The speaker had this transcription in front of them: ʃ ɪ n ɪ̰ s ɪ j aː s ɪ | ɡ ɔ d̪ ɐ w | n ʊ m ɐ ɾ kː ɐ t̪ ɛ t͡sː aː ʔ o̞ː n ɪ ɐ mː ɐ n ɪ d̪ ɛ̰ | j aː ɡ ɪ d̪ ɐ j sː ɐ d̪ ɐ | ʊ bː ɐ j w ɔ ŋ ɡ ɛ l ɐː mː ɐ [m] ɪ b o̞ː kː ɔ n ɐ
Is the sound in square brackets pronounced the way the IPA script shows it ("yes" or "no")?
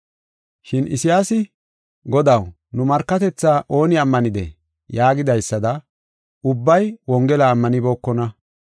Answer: no